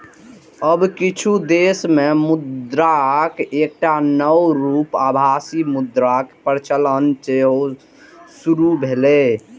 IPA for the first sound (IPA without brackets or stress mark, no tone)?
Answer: ə